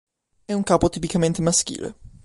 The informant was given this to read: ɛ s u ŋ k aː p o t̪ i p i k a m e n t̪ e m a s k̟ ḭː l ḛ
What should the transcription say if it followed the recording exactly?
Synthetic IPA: ɛ u ŋ k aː p o t̪ i p i k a m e n t̪ e m a s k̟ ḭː l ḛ